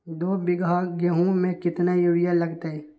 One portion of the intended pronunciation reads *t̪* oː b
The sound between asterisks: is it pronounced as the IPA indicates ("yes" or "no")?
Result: no